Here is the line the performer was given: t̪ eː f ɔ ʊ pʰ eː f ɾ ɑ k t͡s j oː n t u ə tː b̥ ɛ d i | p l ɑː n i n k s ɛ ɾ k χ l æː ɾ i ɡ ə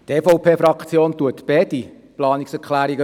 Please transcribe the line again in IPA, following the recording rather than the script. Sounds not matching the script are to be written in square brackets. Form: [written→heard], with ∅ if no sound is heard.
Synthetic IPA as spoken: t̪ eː f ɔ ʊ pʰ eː f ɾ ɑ k t͡s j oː n t u ə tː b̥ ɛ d i | p l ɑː n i [n→∅] k s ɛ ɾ k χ l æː ɾ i ɡ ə